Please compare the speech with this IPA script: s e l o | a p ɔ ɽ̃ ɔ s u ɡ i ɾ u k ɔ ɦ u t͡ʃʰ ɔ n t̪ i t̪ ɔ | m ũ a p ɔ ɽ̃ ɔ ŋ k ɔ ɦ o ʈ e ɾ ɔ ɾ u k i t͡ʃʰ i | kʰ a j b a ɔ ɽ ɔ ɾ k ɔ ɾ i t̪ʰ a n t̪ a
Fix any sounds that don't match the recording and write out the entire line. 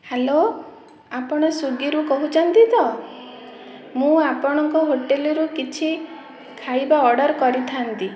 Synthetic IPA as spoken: h e l o | a p ɔ ɽ̃ ɔ s u ɡ i ɾ u k ɔ ɦ u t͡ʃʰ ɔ n t̪ i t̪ ɔ | m ũ a p ɔ ɽ̃ ɔ ŋ k ɔ ɦ o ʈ e l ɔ ɾ u k i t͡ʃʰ i | kʰ a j b a ɔ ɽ ɔ ɾ k ɔ ɾ i t̪ʰ a n t̪ i